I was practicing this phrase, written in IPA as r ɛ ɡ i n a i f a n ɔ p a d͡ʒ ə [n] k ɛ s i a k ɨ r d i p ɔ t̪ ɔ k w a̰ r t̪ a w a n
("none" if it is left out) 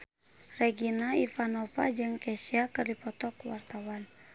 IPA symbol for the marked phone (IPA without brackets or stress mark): ŋ